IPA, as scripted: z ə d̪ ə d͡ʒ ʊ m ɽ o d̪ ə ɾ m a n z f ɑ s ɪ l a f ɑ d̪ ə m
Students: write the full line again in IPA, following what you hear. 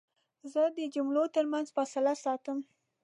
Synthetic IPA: z ə d̪ ə d͡ʒ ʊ m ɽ o t̪ ə ɾ m a n z f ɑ s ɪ l a s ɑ t̪ ə m